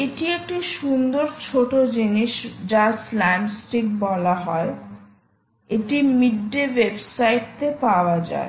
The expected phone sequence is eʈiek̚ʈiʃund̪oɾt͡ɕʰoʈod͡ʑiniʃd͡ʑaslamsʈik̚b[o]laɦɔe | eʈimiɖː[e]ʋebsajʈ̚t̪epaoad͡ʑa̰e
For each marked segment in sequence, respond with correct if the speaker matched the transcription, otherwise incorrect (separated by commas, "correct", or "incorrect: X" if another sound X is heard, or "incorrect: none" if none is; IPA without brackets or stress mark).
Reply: incorrect: ɔ, correct